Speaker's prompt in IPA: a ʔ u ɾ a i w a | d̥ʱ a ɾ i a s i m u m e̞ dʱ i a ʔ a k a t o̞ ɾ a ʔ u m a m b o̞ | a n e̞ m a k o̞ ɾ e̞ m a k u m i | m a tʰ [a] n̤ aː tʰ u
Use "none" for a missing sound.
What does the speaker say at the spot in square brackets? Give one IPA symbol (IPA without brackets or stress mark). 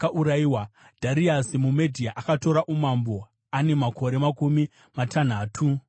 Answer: a